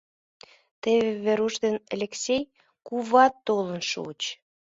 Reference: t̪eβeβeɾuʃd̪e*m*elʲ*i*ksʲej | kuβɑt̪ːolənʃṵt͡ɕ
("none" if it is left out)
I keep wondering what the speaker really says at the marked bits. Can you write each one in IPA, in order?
n, e

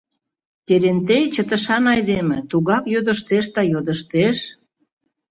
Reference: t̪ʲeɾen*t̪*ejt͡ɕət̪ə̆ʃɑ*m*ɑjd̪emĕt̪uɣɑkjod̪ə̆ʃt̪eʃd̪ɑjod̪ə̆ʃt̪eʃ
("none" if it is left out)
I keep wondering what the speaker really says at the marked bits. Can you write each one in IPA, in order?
t̪, n

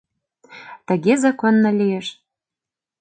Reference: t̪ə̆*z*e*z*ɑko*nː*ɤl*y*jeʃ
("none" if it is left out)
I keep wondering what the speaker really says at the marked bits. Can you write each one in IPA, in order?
ɣ, z, nː, i

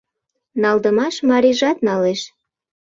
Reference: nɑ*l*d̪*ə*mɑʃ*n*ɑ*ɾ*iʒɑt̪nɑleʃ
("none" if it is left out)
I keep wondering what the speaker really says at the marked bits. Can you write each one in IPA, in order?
l, ə, m, ɾ

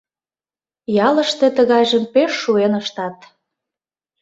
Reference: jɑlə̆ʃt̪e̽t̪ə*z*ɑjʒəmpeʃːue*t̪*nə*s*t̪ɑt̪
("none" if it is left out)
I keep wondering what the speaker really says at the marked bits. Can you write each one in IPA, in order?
ɣ, none, ʃ

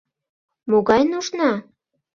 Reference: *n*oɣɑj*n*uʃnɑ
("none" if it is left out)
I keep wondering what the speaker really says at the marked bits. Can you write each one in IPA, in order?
m, n

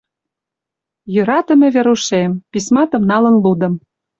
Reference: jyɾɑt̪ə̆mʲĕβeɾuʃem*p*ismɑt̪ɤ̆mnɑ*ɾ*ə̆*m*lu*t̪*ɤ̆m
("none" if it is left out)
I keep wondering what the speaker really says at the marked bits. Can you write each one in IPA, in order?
p, l, n, d̪

